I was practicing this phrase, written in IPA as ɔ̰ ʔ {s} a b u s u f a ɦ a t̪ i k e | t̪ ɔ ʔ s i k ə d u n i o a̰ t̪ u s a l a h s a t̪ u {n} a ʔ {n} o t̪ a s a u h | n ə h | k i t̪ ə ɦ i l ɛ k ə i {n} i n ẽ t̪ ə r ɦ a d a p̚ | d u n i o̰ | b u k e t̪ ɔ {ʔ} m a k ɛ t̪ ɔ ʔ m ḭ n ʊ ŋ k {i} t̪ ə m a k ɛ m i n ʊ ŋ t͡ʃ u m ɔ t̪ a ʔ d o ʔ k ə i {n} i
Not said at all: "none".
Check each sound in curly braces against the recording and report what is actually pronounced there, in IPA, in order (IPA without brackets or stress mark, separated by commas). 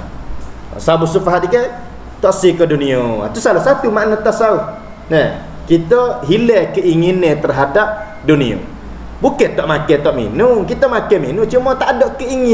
s, m, n, ŋ, ʔ, i, ŋ